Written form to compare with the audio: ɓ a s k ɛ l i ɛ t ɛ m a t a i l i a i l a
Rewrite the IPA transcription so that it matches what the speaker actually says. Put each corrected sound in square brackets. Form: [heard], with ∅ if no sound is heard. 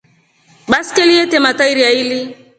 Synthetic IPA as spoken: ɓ a s k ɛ l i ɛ t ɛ m a t a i [ɾ] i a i l [i]